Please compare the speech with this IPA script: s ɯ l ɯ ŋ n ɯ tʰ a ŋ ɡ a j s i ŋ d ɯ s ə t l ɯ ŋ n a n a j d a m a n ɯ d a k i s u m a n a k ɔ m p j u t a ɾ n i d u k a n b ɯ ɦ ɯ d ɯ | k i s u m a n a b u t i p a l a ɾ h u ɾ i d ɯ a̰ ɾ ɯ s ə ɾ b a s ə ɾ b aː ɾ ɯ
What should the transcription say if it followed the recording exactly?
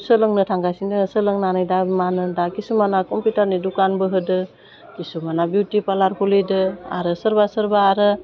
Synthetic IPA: s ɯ l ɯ ŋ n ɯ tʰ a ŋ ɡ a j s i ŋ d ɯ s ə l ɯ ŋ n a n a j d a m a n ɯ d a k i s u m a n a k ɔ m p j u t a ɾ n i d u k a n b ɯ ɦ ɯ d ɯ | k i s u m a n a b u t i p a l a ɾ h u l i d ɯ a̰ ɾ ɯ s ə ɾ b a s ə ɾ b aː ɾ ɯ